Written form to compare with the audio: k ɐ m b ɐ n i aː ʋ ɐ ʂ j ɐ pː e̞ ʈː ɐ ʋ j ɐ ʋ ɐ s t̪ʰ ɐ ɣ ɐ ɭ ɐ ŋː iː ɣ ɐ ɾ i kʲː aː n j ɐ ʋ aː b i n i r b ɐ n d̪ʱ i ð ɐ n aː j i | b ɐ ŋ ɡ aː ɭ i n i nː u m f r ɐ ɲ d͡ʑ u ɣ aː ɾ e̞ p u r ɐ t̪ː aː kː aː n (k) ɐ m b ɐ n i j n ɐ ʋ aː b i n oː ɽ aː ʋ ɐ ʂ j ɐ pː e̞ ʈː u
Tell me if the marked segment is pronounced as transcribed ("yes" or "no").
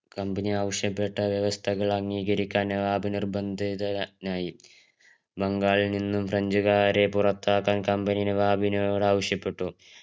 yes